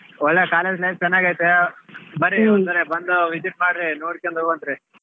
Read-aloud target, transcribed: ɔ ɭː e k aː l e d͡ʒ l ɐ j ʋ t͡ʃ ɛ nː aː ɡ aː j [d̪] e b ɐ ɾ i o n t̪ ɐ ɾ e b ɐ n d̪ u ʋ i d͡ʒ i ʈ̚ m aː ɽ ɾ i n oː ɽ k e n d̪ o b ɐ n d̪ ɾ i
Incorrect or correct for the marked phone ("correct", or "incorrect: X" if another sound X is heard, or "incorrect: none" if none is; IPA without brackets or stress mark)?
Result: incorrect: t̪